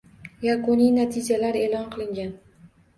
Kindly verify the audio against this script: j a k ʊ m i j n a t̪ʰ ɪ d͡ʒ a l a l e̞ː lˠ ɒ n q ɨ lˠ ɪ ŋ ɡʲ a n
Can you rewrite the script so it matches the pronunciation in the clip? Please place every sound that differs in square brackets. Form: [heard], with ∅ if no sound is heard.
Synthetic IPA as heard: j a k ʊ [n] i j n a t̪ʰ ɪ d͡ʒ a l a [ɾ] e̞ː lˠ ɒ n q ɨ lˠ ɪ ŋ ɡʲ a n